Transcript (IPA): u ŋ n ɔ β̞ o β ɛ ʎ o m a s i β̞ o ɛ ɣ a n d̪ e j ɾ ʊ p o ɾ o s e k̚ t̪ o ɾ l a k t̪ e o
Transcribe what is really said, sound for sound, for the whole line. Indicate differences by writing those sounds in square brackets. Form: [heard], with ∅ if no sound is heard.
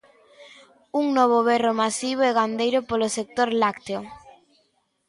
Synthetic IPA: u ŋ n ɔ β̞ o β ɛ [r] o m a s i β̞ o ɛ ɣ a n d̪ e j ɾ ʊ p o [l] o s e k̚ t̪ o ɾ l a k t̪ e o